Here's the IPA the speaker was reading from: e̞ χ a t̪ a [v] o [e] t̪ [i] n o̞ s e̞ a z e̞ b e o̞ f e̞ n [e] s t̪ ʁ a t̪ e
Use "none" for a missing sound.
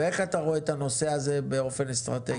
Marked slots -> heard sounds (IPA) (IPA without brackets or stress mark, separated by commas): ʁ, e, a, e